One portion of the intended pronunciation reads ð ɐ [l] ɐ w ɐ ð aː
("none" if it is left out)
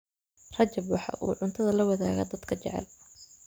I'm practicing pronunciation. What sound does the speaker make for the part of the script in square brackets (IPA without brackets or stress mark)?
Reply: l